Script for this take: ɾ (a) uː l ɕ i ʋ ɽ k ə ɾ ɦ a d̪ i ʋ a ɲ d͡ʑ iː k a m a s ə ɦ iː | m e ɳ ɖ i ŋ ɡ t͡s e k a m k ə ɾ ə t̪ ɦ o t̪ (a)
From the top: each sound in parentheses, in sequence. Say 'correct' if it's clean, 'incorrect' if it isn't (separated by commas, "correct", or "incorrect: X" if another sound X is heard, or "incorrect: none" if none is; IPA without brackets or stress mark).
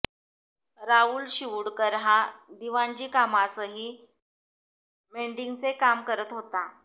correct, correct